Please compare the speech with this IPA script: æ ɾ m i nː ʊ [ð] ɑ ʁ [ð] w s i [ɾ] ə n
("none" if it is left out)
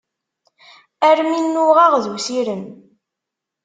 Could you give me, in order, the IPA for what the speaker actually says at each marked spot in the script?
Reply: ʁ, ð, ɾ

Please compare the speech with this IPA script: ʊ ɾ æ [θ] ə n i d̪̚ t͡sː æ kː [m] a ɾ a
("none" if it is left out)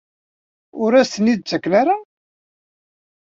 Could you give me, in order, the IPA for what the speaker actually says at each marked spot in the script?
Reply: s, n

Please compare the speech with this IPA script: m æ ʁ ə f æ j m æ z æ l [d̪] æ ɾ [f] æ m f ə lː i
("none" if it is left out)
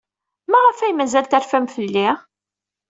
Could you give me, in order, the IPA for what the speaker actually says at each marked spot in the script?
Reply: t̪, f

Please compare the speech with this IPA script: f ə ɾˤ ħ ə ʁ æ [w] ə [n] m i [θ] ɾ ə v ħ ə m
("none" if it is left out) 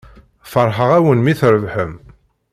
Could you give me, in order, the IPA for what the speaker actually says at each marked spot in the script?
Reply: w, n, θ

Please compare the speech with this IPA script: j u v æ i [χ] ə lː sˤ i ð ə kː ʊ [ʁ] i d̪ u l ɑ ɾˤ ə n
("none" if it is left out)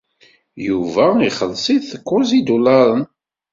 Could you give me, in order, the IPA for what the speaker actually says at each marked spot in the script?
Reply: χ, z

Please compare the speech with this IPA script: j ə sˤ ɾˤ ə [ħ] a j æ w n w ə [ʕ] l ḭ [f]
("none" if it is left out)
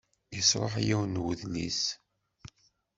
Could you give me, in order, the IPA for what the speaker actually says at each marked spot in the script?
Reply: ħ, ð, s

